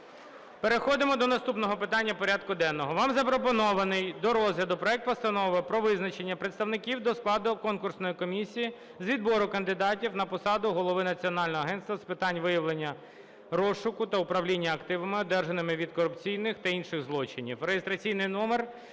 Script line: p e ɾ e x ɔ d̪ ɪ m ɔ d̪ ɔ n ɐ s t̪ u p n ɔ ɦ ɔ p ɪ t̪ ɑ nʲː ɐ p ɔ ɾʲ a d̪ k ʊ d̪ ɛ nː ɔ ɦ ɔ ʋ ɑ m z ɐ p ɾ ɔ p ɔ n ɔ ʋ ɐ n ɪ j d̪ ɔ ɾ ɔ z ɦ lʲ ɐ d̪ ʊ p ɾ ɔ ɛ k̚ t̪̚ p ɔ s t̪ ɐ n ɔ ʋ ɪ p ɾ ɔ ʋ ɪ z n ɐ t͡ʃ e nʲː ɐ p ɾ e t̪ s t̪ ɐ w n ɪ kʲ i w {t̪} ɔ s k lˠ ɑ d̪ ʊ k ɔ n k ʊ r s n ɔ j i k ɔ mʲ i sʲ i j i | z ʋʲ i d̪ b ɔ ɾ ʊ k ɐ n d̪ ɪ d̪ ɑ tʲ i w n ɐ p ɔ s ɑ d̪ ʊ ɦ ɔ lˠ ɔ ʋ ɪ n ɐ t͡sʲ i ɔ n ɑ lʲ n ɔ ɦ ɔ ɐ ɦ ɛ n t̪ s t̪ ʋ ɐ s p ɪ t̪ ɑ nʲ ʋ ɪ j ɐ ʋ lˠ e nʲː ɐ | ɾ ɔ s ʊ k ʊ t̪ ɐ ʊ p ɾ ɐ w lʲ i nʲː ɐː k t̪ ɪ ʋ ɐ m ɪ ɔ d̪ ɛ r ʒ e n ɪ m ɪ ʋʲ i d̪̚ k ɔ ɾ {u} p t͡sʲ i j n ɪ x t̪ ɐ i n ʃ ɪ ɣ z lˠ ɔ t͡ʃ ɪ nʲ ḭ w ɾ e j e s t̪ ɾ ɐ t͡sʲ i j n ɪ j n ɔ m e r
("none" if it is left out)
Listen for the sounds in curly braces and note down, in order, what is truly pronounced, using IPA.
d̪, ʊ

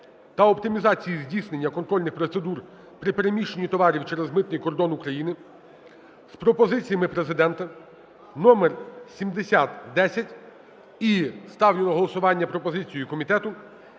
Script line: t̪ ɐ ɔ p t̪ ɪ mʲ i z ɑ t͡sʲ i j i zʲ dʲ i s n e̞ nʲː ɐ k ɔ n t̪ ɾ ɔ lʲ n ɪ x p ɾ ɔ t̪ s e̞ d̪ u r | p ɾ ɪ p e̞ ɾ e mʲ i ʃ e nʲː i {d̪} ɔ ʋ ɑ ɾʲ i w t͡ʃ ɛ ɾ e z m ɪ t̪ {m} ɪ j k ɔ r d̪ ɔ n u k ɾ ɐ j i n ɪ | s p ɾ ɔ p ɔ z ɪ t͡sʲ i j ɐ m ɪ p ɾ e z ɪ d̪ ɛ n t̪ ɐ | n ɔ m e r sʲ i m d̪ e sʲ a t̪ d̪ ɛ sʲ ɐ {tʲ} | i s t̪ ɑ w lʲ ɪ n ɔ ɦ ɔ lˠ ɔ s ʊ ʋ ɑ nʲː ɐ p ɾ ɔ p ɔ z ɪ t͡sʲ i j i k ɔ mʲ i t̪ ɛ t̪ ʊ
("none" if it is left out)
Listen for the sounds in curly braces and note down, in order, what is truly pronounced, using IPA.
t̪, n, tʲ

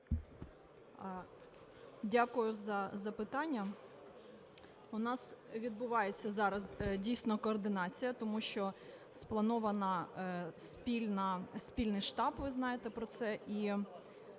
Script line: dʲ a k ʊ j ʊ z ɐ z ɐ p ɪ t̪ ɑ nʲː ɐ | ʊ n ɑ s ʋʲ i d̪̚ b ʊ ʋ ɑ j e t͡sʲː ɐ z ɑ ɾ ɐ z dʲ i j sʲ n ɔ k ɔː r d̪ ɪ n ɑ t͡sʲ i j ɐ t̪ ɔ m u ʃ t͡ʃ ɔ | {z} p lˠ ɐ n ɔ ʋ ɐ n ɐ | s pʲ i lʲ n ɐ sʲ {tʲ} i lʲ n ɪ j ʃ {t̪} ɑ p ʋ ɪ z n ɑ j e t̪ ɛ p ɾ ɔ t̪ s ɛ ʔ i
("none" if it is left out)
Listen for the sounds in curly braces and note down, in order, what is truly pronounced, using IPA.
s, pʲ, t̪

